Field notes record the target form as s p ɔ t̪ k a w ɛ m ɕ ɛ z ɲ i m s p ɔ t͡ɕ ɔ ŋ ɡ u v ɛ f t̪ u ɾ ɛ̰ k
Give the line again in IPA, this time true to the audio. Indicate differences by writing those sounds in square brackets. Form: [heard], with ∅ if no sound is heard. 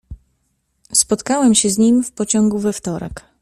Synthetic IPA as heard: s p ɔ t̪ k a w ɛ m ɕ ɛ z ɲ i m [f] p ɔ t͡ɕ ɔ ŋ ɡ u v ɛ f t̪ [ɔ] ɾ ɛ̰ k